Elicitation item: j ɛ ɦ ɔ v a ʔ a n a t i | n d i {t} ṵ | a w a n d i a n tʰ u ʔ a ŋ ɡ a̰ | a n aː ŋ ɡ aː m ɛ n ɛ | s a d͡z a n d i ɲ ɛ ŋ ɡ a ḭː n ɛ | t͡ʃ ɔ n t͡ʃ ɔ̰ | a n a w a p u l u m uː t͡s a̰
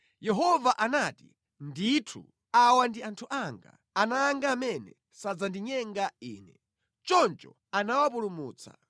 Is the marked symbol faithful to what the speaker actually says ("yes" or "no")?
no